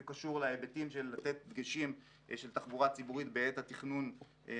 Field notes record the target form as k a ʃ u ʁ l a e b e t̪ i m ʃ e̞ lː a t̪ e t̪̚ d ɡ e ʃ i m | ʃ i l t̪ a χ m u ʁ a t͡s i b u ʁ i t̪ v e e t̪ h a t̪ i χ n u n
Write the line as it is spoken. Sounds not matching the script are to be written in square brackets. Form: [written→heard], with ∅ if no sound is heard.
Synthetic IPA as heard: k a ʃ u ʁ l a e b e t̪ i m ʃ e̞ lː a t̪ e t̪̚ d ɡ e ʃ i m | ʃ [i→e] l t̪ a χ [m→b] u ʁ a t͡s i b u ʁ i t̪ [v→b] e e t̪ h a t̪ i χ n u n

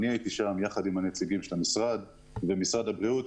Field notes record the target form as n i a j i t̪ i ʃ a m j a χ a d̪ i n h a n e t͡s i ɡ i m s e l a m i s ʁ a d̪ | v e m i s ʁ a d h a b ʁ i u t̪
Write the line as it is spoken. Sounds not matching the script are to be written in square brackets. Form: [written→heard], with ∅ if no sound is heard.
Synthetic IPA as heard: n i a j i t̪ i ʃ a m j a χ a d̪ i [n→m] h a n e t͡s i ɡ i m [s→ʃ] e l a m i s ʁ a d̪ | v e m i s ʁ a d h a b ʁ i u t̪

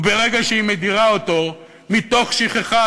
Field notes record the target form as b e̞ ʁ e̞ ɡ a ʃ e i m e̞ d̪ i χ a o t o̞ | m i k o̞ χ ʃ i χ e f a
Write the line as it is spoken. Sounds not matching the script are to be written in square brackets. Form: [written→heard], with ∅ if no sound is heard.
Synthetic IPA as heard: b e̞ ʁ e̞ ɡ a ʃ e i m e̞ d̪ i [χ→ʁ] a o t o̞ | m i [k→t] o̞ χ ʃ i χ e [f→χ] a

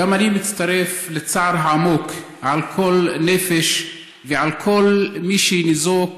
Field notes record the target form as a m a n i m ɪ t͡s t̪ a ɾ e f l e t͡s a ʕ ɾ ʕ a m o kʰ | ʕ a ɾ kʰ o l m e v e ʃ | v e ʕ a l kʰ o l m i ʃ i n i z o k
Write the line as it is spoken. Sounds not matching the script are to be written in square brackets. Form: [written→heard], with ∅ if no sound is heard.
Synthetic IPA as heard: a m a n i m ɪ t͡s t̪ a ɾ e f l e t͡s a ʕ ɾ ʕ a m o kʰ | ʕ a [ɾ→l] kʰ o l [m→n] e [v→f] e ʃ | v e ʕ a l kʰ o l m i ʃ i n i z o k

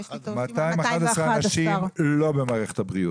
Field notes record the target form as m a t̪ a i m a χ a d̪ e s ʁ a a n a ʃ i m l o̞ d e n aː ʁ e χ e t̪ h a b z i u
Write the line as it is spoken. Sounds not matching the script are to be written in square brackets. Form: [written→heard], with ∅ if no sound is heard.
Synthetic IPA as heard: m a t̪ a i m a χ a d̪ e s ʁ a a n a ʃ i m l o̞ [d→b] e [n→m] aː ʁ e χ e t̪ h a b [z→ʁ] i u

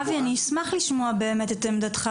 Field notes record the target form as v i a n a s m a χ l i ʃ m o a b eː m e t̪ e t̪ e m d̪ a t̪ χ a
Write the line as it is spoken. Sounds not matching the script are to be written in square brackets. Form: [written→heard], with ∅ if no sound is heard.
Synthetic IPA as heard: v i a n [a→i] s m a χ l i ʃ m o a b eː m e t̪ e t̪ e m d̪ a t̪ χ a

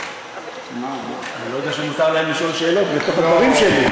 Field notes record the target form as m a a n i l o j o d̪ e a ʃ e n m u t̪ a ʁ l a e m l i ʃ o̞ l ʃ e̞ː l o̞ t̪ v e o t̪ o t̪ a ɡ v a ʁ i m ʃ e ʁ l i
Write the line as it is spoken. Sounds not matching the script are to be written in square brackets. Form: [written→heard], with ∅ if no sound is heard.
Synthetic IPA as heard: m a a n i l o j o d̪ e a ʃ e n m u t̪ a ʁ l a e m l i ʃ o̞ l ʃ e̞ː l o̞ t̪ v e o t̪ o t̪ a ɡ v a ʁ i m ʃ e [ʁ→∅] l i

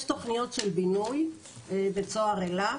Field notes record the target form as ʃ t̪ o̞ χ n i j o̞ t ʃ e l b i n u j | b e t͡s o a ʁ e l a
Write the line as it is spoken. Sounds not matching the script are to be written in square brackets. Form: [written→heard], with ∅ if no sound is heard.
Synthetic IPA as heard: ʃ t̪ o̞ χ n i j o̞ t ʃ e l b i n u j | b e t͡s o a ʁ e l a

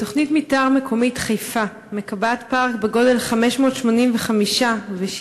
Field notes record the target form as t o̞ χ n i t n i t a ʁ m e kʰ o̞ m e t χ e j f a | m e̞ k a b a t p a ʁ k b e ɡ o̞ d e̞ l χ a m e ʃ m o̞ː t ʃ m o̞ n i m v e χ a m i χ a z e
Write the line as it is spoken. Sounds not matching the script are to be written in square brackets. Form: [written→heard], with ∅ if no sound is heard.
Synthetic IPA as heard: t o̞ χ n i t [n→m] i t a ʁ m e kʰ o̞ m [e→i] t χ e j f a | m e̞ k a b a t p a ʁ k b e ɡ o̞ d e̞ l χ a m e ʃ m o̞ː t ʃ m o̞ n i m v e χ a m i [χ→ʃ] a [z→v] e

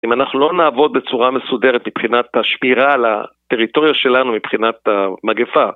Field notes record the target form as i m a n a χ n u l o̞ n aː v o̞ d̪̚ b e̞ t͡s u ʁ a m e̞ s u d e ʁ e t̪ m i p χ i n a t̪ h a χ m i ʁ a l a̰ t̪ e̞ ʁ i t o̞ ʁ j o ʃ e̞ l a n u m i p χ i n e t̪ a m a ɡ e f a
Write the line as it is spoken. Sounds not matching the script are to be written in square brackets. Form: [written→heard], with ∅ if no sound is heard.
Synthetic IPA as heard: i m a n a χ n u l o̞ n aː v o̞ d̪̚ b e̞ t͡s u ʁ a m e̞ s u d e ʁ e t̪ m i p χ i n a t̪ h a [χ→ʃ] m i ʁ a l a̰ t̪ e̞ ʁ i t o̞ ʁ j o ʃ e̞ l a n u m i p χ i n [e→a] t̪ a m a ɡ e f a

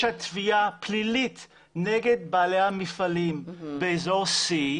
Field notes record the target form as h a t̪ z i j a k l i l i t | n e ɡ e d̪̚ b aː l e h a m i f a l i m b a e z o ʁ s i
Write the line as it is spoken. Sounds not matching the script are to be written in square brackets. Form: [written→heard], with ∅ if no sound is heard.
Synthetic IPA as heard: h a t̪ [z→v] i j a [k→p] l i l i t | n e ɡ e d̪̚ b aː l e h a m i f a l i m b [a→e] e z o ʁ s i

